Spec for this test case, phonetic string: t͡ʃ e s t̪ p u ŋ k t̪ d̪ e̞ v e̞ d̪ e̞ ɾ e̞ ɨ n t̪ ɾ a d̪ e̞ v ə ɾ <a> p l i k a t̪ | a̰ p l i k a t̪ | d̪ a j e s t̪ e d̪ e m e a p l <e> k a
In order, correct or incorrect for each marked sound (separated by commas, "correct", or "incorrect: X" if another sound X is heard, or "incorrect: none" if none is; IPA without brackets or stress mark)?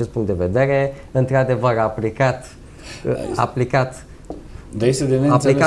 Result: correct, incorrect: i